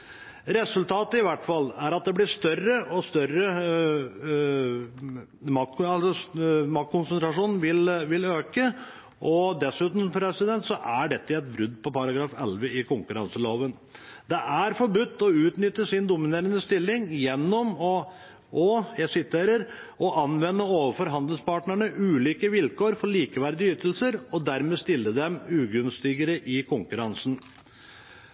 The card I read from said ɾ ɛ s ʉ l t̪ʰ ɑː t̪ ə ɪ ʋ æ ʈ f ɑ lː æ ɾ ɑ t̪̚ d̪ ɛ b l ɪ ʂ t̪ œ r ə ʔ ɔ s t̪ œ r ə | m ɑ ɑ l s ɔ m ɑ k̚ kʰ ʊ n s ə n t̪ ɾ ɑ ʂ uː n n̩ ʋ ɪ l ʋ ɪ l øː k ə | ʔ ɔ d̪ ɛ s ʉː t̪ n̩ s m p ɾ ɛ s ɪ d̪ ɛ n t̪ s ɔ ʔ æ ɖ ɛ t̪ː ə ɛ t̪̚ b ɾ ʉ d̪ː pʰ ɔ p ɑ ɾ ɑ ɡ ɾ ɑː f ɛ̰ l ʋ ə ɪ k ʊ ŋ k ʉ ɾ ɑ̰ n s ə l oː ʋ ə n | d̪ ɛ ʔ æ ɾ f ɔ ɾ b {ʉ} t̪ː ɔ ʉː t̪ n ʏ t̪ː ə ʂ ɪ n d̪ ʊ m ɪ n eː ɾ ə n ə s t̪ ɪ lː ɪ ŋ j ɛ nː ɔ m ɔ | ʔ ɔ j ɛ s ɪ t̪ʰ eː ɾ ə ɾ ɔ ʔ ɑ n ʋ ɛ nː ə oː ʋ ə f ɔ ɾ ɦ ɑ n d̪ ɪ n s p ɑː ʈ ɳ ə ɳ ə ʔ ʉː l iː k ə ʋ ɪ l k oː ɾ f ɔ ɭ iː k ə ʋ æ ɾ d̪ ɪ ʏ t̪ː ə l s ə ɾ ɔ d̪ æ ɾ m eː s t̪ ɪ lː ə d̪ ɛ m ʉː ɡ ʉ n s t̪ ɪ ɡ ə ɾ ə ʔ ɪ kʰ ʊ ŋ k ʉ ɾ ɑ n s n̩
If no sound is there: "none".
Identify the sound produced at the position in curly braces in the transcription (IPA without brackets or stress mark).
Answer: ʉ